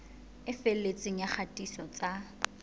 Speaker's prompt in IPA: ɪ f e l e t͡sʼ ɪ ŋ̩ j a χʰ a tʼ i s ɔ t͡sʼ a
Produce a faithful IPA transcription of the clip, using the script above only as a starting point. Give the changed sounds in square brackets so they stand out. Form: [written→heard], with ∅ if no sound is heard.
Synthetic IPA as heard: ɪ f e l e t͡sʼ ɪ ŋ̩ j a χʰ a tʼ i s ɔ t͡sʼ a